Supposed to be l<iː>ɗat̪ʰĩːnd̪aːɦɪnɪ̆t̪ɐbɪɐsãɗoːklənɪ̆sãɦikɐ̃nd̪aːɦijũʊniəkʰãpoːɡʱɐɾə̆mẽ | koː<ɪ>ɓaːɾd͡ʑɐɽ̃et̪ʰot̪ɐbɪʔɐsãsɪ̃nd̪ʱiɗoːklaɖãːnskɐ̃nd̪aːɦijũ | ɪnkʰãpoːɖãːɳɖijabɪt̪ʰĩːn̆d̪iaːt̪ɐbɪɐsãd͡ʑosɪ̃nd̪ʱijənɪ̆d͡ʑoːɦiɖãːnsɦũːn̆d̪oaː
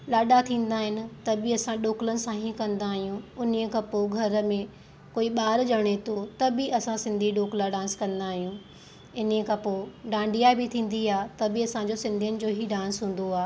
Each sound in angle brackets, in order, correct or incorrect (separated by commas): incorrect, incorrect